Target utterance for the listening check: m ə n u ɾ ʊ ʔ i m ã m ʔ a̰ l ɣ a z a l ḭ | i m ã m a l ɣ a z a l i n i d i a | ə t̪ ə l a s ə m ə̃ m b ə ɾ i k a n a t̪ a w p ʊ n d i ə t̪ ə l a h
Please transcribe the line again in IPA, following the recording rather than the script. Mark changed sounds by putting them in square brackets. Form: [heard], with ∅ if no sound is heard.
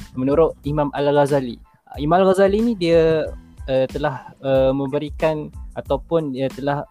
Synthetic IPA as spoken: m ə n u ɾ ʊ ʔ i m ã m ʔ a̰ l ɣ a z a l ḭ | i m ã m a l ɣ a z a l i n i d i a | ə t̪ ə l a [h] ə m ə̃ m b ə ɾ i k a n a t̪ a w p ʊ n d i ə t̪ ə l a h